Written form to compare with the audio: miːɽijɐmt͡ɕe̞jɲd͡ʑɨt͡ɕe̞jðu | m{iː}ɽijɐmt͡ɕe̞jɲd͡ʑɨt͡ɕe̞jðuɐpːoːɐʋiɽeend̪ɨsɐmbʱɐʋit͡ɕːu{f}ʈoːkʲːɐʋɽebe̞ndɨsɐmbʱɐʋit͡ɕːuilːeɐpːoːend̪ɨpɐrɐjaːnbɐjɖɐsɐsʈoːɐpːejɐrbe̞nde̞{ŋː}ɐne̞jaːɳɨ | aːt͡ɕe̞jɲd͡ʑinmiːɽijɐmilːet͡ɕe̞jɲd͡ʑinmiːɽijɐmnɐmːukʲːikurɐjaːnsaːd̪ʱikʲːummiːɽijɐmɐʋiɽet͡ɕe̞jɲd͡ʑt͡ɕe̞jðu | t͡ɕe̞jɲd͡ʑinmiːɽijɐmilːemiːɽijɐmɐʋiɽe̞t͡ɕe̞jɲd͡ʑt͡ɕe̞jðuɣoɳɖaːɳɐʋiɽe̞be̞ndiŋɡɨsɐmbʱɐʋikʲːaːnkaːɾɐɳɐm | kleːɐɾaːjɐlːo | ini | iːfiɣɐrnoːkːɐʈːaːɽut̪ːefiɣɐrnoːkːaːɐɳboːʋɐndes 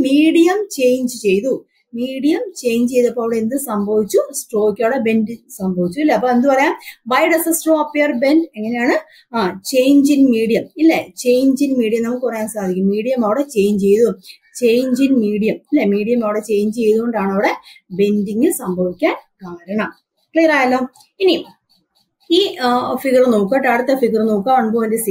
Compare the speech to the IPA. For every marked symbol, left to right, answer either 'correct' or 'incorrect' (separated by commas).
correct, incorrect, correct